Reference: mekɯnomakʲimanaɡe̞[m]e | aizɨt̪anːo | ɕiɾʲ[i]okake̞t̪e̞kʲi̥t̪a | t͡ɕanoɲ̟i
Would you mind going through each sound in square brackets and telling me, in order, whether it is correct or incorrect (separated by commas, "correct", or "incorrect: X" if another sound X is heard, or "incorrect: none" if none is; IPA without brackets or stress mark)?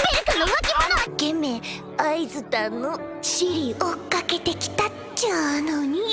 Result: correct, correct